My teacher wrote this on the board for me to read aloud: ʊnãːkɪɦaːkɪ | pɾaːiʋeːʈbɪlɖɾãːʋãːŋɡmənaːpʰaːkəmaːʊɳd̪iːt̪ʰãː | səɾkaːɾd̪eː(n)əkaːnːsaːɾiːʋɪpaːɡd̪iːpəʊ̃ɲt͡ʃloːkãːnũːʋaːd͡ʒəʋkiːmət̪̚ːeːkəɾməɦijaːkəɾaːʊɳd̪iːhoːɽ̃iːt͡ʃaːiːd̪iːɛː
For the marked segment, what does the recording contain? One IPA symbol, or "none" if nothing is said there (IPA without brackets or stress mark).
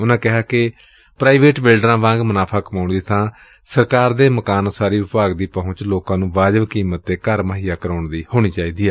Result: m